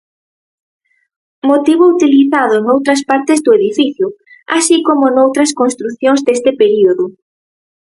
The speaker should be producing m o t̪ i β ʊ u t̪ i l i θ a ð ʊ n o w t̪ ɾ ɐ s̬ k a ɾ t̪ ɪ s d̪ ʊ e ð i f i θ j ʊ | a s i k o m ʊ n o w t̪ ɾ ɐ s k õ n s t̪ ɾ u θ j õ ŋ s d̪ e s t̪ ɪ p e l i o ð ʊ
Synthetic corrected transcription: m o t̪ i β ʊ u t̪ i l i θ a ð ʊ n o w t̪ ɾ ɐ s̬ p a ɾ t̪ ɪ z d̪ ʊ e ð i f i θ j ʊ | a s i k o m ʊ n o w t̪ ɾ ɐ s k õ n s t̪ ɾ u θ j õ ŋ z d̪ e s t̪ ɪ p e ɾ i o ð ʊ